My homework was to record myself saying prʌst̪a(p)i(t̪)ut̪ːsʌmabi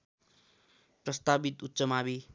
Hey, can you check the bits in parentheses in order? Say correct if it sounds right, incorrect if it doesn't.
incorrect: b, correct

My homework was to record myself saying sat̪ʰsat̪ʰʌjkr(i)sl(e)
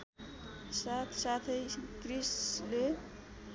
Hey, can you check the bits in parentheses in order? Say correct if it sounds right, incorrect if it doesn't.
correct, correct

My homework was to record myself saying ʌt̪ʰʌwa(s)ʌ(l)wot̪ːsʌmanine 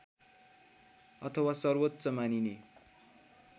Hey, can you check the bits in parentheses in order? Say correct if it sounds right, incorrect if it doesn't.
correct, incorrect: r

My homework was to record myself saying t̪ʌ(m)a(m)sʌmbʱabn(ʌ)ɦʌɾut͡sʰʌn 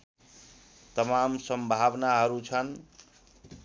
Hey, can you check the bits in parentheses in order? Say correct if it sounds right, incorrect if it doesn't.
correct, correct, incorrect: a

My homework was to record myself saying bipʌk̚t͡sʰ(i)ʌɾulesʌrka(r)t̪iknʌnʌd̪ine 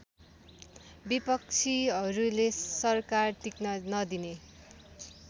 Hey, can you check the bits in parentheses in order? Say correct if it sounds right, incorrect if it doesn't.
correct, correct

